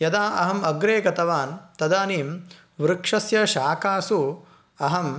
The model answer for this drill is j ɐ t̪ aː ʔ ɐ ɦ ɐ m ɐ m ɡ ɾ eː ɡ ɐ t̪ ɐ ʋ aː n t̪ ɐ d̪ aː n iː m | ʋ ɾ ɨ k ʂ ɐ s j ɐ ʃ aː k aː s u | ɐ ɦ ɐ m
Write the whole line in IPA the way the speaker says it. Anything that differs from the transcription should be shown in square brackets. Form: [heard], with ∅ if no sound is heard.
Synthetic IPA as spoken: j ɐ [d̪] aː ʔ ɐ ɦ ɐ m ɐ [∅] ɡ ɾ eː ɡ ɐ t̪ ɐ ʋ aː n t̪ ɐ d̪ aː n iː m | ʋ ɾ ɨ k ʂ ɐ s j ɐ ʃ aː k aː s u | ɐ ɦ ɐ m